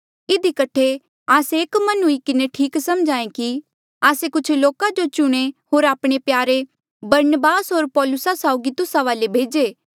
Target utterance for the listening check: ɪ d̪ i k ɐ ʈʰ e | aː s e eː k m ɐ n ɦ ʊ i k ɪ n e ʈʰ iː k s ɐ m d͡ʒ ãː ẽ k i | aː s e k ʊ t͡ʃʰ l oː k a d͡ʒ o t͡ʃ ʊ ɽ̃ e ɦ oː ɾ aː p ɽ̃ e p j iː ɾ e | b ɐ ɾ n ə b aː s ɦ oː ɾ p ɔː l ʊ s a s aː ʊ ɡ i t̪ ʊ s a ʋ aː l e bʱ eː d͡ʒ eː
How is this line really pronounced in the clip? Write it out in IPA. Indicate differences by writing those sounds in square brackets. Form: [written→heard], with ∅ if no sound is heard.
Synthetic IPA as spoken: ɪ d̪ i k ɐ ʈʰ e | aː s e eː k m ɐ n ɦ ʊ i k ɪ n e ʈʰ iː k s ɐ m d͡ʒ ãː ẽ k i | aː s e k ʊ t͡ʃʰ l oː k a d͡ʒ o t͡ʃ ʊ ɽ̃ e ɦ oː ɾ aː p ɽ̃ e p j [iː→aː] ɾ e | b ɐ ɾ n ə b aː s ɦ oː ɾ p ɔː l ʊ s a s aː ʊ ɡ i t̪ ʊ s a ʋ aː l e bʱ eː d͡ʒ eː